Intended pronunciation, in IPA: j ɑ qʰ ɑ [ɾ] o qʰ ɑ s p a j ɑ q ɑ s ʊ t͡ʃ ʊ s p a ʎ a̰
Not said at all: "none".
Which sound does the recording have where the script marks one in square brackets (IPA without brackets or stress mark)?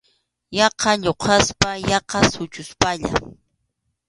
ʎ